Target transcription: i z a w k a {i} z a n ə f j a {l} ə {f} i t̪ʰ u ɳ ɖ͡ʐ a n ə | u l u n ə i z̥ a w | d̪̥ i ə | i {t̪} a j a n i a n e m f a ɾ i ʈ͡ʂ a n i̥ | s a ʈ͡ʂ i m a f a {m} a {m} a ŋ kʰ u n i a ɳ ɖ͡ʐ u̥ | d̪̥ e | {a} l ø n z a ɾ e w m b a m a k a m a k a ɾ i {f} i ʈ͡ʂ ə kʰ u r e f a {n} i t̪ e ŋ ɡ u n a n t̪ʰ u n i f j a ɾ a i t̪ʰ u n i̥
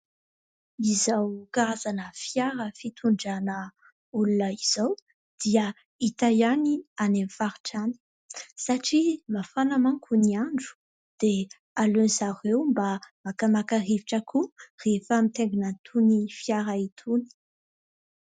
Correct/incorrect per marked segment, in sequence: incorrect: a, incorrect: ɾ, correct, correct, incorrect: n, correct, correct, incorrect: v, incorrect: m

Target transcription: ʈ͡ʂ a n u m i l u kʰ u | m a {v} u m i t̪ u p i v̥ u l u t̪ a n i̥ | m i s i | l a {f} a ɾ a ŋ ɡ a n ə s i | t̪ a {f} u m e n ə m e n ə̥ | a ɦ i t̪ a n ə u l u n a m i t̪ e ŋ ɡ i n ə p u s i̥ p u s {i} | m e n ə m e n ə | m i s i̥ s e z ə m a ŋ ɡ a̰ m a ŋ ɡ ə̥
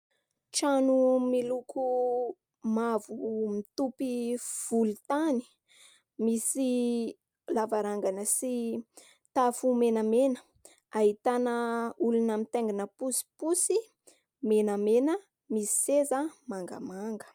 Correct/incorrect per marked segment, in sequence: correct, incorrect: v, correct, correct

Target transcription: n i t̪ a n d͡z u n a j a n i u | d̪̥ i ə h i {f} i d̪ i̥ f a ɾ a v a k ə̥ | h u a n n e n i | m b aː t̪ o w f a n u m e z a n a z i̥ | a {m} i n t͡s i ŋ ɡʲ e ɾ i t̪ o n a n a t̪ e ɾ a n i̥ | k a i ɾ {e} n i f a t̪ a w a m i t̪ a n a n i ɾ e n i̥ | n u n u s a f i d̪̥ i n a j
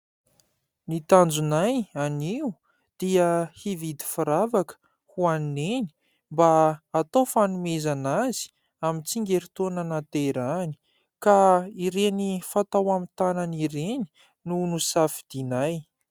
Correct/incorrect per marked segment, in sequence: incorrect: v, correct, correct

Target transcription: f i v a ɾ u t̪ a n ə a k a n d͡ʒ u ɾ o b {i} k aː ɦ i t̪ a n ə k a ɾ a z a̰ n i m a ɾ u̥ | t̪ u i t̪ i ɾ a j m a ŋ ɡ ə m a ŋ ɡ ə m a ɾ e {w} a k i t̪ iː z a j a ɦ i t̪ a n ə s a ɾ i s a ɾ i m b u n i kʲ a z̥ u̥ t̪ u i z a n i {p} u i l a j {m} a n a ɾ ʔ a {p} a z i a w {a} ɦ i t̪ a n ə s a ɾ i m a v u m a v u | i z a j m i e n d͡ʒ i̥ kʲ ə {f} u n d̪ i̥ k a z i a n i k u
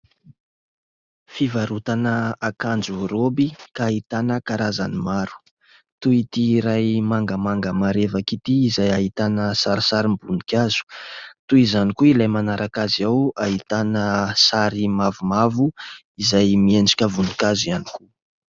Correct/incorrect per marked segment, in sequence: correct, incorrect: v, incorrect: k, correct, incorrect: k, correct, incorrect: v

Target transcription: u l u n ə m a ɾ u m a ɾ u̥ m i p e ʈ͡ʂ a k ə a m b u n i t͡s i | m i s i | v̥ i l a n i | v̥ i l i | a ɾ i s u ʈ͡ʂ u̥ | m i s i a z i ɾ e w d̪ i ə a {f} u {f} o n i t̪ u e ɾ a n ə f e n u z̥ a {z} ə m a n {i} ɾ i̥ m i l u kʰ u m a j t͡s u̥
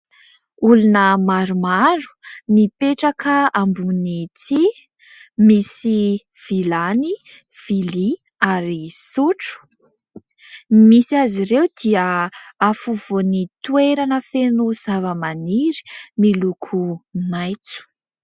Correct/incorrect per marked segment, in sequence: correct, incorrect: v, incorrect: v, correct

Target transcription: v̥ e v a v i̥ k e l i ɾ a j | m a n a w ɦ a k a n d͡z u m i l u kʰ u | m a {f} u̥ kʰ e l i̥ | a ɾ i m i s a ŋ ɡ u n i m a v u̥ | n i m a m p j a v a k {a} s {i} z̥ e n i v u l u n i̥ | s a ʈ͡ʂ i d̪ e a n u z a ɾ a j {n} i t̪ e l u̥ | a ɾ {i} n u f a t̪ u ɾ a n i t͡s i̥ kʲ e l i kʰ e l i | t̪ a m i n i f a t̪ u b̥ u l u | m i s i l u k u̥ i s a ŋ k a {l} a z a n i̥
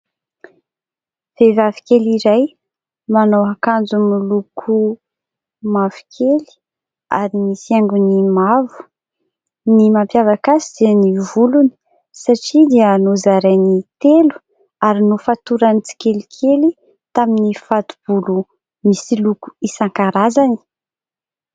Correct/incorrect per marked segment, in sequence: incorrect: v, correct, correct, correct, correct, incorrect: ɾ

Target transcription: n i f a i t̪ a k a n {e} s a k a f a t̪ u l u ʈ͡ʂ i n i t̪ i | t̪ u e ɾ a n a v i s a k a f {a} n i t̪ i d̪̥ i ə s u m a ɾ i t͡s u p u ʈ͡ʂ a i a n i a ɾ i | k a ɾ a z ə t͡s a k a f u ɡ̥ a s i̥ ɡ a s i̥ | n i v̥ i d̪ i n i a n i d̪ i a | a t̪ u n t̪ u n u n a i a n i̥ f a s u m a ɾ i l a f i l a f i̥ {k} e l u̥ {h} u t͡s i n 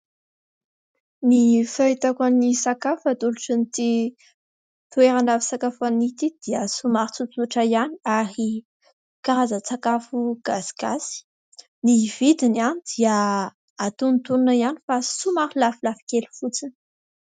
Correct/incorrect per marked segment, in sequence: incorrect: i, correct, correct, incorrect: f

